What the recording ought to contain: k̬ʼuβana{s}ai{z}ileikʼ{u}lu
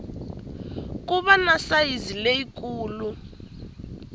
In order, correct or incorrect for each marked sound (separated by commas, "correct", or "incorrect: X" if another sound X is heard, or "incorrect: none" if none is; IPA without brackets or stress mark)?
correct, correct, incorrect: uː